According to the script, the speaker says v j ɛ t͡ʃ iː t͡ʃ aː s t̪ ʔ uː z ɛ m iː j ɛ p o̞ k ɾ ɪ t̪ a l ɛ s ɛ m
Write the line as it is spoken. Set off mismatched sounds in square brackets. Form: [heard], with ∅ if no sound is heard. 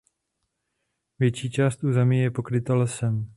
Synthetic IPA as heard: v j ɛ t͡ʃ iː t͡ʃ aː s t̪ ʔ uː z ɛ m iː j ɛ p o̞ k ɾ ɪ t̪ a l ɛ s ɛ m